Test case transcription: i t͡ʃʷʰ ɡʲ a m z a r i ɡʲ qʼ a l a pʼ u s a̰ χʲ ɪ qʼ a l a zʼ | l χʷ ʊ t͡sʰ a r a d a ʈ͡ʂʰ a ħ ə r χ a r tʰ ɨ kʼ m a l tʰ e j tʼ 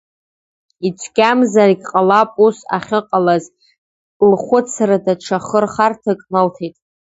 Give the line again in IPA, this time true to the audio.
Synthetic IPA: i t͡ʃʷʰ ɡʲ a m z a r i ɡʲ qʼ a l a pʼ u s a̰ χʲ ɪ qʼ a l a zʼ | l χʷ ʊ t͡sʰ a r a d a ʈ͡ʂʰ a χ ə r χ a r tʰ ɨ kʼ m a l tʰ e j tʼ